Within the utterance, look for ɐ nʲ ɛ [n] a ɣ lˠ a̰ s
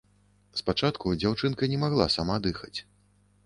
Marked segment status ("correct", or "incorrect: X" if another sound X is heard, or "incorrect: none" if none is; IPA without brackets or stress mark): incorrect: m